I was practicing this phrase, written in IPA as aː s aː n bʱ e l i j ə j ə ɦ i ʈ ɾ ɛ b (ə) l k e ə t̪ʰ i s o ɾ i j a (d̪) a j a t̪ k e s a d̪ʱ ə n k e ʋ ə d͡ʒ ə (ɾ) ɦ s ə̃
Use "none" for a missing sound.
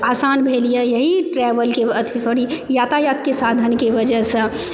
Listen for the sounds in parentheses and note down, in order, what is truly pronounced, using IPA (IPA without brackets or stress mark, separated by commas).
ə, t̪, none